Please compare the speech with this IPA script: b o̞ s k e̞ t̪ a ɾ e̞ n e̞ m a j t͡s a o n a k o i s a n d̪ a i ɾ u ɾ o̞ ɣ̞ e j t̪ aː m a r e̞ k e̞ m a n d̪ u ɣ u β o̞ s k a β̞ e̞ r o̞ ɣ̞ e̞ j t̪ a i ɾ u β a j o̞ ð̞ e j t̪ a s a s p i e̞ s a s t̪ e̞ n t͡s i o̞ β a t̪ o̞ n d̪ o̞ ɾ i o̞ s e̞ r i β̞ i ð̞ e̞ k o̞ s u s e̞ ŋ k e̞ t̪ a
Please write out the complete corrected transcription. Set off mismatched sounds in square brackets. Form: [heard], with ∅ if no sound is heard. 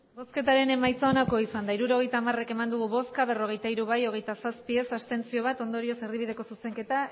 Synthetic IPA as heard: b o̞ s k e̞ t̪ a ɾ e̞ n e̞ m a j t͡s a o n a k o i s a n d̪ a i ɾ u ɾ o̞ ɣ̞ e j t̪ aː m a r e̞ k e̞ m a n d̪ u ɣ u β o̞ s k a β̞ e̞ r o̞ ɣ̞ e̞ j t̪ a i ɾ u β a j o̞ [ɣ̞] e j t̪ a s a s p i e̞ s a s t̪ e̞ n t͡s i o̞ β a t̪ o̞ n d̪ o̞ ɾ i o̞ s e̞ r i β̞ i ð̞ e̞ k o̞ s u s e̞ ŋ k e̞ t̪ a